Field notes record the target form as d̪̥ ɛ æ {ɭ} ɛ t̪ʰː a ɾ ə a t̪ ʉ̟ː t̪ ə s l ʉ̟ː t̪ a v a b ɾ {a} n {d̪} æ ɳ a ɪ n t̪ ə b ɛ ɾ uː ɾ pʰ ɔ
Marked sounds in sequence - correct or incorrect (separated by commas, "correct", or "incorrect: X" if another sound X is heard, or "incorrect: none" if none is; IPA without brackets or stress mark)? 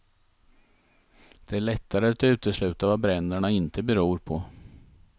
correct, incorrect: ɛ, correct